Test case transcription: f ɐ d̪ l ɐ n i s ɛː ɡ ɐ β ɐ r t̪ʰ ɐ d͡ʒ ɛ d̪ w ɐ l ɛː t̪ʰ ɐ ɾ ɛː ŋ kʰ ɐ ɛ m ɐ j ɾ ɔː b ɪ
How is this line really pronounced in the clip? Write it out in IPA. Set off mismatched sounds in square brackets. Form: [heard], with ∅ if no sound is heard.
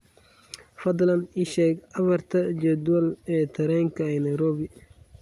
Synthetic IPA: f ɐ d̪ l ɐ n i [ʃ] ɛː ɡ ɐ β ɐ r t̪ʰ ɐ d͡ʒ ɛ d̪ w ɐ l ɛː t̪ʰ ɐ ɾ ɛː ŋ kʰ ɐ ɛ [n] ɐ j ɾ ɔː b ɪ